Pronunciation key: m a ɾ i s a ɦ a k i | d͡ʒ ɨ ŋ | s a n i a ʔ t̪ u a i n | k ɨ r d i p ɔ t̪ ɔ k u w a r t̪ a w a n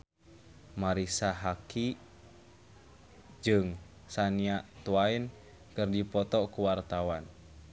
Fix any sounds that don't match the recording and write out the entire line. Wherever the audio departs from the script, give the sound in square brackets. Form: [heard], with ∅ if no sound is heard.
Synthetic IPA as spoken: m a ɾ i s a ɦ a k i | d͡ʒ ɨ ŋ | s a n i a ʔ t̪ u a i n | k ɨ r d i p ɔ t̪ ɔ k u w a r t̪ a w a n